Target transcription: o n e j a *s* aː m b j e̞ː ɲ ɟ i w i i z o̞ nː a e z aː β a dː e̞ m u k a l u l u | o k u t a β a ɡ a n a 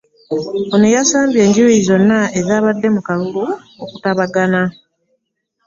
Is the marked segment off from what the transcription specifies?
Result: no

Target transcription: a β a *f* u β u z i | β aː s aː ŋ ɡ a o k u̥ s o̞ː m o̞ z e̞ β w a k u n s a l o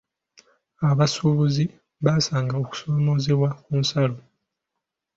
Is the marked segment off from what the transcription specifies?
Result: yes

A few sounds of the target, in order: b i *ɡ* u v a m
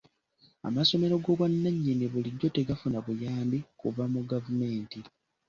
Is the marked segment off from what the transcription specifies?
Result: yes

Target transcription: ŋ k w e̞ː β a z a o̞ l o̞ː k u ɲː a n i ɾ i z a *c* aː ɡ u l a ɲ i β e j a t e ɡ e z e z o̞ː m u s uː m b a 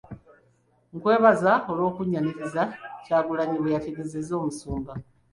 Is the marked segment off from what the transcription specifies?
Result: no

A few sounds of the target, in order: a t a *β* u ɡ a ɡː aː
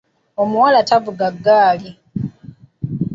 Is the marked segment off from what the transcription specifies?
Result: yes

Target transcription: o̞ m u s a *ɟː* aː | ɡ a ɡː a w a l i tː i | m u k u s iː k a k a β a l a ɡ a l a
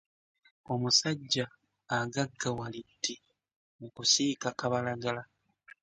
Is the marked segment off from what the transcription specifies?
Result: no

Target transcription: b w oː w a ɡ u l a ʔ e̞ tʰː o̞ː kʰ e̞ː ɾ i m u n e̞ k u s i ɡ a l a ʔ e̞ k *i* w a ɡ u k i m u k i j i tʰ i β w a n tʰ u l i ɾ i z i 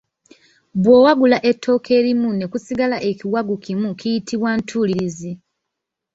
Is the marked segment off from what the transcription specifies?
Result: no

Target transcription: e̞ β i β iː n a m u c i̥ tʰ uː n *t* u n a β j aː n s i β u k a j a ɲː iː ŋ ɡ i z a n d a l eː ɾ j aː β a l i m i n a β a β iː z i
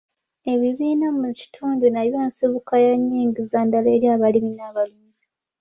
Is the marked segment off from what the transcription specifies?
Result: yes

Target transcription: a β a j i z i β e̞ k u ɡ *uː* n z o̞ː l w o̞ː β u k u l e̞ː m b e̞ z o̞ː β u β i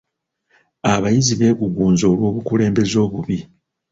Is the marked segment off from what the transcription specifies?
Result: no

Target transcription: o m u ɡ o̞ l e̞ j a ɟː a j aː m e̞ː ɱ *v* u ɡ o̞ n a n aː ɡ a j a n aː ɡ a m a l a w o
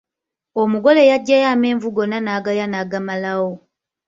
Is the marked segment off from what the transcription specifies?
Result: no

